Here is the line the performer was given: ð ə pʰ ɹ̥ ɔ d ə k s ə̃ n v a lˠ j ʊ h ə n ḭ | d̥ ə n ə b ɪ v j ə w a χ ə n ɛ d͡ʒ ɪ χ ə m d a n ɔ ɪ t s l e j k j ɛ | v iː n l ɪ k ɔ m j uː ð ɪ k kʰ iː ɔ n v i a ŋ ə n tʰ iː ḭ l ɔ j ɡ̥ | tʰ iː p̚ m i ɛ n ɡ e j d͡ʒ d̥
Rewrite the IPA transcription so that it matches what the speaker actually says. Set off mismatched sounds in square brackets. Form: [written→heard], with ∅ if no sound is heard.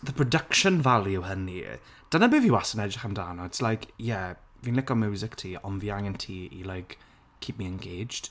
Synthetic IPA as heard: ð ə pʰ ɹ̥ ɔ d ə k [s→ʃ] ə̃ n v a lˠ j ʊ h ə n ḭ | d̥ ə n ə b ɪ v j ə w a [χ→s] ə n ɛ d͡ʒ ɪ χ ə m d a n ɔ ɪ t s l [e→a] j k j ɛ | v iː n l ɪ k ɔ m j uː [ð→z] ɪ k [kʰ→tʰ] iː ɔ n v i a ŋ ə n tʰ iː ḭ l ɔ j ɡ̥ | [tʰ→kʰ] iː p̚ m i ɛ n ɡ e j d͡ʒ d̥